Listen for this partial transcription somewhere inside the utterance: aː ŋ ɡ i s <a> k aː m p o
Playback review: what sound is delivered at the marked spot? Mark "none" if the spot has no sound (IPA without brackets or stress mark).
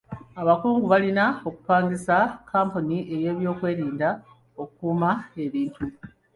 a